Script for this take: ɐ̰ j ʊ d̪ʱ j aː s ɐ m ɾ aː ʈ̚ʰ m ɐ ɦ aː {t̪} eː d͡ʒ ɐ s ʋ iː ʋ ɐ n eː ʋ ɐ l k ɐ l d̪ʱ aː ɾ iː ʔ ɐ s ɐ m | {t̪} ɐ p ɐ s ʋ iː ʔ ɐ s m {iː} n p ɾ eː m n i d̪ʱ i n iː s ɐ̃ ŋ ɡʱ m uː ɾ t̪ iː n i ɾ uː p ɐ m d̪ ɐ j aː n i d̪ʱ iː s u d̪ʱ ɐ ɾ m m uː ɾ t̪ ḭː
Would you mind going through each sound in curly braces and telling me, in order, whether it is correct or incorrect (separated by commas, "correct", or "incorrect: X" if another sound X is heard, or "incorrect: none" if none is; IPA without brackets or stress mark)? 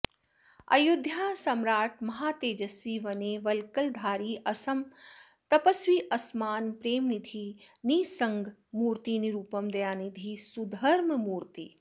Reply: correct, correct, incorrect: aː